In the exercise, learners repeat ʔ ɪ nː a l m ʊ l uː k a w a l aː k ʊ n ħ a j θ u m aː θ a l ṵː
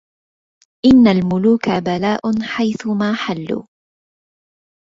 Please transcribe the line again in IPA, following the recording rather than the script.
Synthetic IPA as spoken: ʔ ɪ nː a l m ʊ l uː k a b a l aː ʔ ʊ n ħ a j θ ʊ m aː ħ a lː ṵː